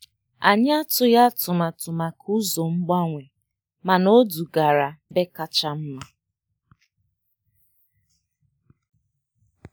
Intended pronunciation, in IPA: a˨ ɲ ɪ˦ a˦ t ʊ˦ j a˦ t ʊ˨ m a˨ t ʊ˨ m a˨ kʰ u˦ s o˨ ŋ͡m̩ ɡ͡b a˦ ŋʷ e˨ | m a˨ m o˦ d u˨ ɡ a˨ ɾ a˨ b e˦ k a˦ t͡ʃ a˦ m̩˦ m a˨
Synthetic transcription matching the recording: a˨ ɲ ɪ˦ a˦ t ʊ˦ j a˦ t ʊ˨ m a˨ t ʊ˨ m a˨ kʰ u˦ z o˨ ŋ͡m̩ ɡ͡b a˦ ŋʷ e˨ | m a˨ n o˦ d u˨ ɡ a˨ ɾ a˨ b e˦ k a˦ t͡ʃ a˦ m̩˦ m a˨